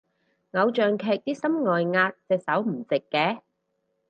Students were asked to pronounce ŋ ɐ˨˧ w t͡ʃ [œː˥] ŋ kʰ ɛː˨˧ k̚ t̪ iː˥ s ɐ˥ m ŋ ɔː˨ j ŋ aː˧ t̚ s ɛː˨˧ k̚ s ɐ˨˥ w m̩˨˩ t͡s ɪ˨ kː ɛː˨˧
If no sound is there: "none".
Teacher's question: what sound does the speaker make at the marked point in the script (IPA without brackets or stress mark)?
œː˨